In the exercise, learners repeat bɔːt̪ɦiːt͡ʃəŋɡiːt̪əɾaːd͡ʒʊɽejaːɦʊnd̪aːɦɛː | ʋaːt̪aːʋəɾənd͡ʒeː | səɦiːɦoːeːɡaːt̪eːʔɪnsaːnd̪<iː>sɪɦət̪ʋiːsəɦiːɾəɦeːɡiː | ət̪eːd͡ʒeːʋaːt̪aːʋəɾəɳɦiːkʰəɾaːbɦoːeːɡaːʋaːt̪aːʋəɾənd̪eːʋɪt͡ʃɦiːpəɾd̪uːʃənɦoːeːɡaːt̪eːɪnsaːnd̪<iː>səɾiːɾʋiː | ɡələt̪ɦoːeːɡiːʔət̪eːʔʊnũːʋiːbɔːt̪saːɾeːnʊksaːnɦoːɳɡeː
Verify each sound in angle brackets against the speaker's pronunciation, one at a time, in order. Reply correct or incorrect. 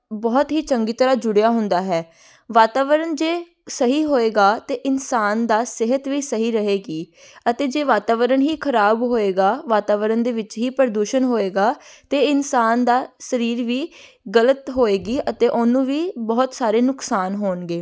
incorrect, incorrect

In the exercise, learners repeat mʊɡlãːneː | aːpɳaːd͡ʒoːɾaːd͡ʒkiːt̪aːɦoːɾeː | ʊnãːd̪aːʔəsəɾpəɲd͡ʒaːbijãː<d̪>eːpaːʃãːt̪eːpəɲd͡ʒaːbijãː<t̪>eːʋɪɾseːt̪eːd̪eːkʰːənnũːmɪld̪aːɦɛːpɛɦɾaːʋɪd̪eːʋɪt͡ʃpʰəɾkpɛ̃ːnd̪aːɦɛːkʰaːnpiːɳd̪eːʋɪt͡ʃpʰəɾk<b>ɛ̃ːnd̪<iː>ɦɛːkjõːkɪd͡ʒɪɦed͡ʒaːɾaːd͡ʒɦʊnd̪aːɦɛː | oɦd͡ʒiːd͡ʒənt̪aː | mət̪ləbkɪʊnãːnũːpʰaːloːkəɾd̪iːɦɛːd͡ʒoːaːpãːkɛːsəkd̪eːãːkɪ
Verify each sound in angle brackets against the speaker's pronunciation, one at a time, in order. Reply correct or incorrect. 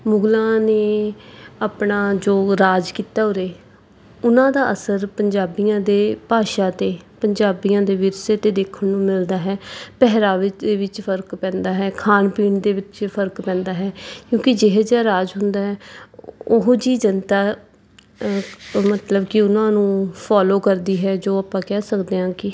correct, incorrect, incorrect, incorrect

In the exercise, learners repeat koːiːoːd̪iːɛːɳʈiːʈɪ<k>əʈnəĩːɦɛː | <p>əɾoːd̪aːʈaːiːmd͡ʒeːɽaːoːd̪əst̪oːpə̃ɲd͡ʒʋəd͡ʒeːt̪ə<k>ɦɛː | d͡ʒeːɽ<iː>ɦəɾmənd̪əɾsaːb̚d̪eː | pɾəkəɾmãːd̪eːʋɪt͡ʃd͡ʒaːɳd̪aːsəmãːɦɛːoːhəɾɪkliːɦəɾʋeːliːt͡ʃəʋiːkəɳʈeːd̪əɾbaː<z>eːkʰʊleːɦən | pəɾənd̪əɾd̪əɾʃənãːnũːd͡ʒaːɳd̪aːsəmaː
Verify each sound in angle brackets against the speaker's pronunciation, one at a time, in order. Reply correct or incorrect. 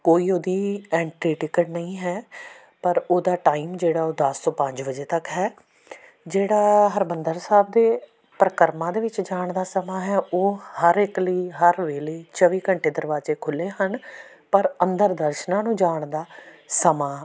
correct, correct, correct, incorrect, correct

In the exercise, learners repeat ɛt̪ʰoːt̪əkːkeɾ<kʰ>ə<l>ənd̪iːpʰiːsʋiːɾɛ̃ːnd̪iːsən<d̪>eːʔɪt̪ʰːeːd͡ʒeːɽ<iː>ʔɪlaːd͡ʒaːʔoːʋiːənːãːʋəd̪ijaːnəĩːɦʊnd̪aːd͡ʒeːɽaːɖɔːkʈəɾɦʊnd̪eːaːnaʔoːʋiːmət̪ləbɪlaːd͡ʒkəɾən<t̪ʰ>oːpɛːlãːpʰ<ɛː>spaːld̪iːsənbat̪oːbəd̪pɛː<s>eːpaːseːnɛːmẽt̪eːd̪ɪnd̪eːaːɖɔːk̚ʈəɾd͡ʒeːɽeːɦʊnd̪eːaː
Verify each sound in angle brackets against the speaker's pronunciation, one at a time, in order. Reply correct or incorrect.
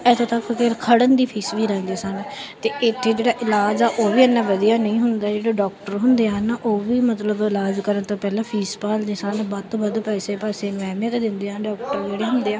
correct, incorrect, incorrect, incorrect, incorrect, incorrect, correct

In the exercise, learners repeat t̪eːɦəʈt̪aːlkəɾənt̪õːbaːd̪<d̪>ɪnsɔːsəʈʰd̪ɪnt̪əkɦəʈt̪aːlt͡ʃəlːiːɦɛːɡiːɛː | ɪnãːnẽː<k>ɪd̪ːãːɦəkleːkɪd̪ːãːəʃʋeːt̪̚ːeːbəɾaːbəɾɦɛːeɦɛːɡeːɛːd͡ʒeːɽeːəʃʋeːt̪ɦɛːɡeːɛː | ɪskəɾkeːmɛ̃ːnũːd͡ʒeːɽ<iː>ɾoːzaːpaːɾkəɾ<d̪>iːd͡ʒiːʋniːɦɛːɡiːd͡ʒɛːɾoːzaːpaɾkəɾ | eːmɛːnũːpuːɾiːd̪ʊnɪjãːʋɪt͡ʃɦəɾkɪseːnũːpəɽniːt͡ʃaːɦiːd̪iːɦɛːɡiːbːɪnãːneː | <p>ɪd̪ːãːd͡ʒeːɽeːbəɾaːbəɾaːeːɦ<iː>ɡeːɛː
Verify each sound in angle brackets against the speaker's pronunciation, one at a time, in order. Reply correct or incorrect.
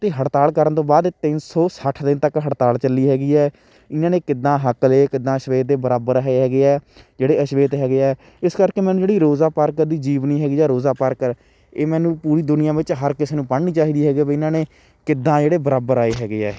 incorrect, correct, correct, correct, incorrect, incorrect

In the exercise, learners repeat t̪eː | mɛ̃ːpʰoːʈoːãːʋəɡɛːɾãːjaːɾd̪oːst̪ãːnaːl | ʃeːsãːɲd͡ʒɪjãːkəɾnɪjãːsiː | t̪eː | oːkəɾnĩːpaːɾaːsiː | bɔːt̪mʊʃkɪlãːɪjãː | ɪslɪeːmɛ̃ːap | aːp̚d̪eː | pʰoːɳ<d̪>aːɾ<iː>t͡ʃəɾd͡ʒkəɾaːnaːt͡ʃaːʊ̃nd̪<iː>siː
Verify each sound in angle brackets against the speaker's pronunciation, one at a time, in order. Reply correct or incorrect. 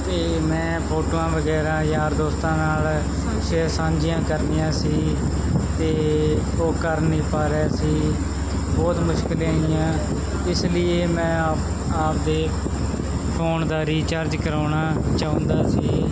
correct, correct, incorrect

